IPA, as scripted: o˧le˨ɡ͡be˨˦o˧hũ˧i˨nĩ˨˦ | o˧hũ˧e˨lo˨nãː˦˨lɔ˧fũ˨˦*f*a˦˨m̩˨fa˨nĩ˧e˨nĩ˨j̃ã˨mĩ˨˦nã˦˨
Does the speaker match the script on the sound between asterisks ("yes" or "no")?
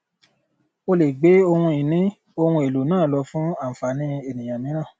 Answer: no